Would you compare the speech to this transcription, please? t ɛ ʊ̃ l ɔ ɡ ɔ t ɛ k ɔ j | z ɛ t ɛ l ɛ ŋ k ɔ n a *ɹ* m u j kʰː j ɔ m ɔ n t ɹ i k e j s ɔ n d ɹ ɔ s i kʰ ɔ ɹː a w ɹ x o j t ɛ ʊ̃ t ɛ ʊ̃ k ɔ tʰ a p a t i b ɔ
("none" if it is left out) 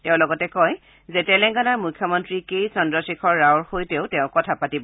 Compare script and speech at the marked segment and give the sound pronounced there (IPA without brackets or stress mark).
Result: ɹ